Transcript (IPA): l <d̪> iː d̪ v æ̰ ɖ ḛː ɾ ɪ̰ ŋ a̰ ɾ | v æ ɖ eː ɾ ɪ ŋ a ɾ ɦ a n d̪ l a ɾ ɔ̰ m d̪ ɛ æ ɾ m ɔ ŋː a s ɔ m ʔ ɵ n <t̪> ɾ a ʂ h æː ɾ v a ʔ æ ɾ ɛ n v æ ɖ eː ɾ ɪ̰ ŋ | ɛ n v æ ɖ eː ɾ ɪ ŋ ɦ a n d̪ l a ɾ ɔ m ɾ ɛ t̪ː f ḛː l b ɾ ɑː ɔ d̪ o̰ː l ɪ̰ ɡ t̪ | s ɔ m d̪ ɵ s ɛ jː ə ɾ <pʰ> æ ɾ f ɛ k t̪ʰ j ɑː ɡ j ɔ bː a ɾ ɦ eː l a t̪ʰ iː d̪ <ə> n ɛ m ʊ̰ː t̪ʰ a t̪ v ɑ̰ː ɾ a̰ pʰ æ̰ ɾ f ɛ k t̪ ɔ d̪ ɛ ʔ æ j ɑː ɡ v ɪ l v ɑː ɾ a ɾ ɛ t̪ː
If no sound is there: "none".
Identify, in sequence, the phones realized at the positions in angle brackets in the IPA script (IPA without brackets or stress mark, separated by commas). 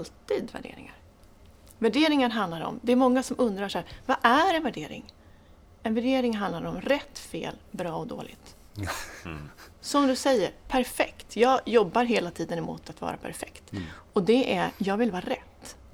t̪, d̪, pʰ, ə